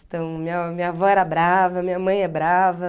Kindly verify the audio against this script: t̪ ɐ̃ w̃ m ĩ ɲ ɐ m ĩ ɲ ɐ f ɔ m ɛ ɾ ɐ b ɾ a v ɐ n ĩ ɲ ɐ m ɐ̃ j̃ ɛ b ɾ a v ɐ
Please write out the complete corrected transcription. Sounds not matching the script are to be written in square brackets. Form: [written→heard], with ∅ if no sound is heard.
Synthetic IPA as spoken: t̪ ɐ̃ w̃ m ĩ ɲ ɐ m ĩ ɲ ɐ [f→v] ɔ [m→∅] ɛ ɾ ɐ b ɾ a v ɐ [n→m] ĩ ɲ ɐ m ɐ̃ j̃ ɛ b ɾ a v ɐ